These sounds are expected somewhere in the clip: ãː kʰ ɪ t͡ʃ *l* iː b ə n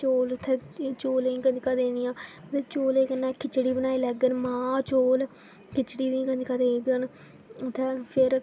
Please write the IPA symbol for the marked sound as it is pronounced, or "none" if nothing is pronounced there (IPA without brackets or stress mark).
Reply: ɽ